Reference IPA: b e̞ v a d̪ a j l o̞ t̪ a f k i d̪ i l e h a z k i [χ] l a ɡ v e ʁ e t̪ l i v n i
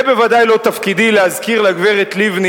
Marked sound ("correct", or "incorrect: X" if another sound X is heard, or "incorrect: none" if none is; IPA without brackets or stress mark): incorrect: ʁ